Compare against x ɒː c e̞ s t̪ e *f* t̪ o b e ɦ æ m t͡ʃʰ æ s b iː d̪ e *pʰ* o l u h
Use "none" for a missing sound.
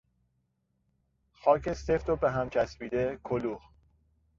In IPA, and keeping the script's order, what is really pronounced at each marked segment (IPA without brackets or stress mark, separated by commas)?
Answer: f, kʰ